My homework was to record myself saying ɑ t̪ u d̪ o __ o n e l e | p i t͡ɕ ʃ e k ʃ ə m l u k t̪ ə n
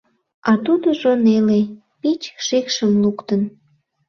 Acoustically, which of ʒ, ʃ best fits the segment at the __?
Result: ʒ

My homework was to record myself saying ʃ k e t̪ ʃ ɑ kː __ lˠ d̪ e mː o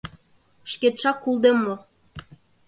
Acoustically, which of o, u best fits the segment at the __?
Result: u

